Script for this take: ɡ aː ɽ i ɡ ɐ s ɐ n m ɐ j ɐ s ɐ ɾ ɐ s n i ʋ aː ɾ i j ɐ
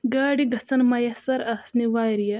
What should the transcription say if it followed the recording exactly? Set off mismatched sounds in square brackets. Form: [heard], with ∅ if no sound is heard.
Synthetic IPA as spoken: ɡ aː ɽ i ɡ ɐ [t͡s] ɐ n m ɐ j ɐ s ɐ ɾ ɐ s n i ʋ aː ɾ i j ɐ